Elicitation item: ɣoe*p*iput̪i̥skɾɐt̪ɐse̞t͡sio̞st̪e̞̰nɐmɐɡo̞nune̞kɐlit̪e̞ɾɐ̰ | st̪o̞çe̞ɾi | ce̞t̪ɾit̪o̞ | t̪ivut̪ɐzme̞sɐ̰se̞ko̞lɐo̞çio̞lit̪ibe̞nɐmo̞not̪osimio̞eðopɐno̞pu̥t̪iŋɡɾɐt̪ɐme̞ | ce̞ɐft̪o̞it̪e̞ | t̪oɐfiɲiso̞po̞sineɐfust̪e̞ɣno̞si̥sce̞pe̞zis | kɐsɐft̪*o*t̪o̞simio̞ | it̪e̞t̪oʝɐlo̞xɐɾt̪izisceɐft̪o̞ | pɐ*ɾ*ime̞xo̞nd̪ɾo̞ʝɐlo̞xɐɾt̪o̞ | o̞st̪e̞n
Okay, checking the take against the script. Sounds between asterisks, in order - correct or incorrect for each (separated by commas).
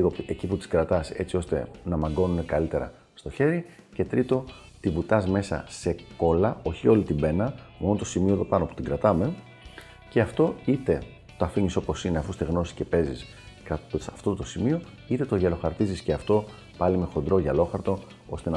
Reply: incorrect, correct, incorrect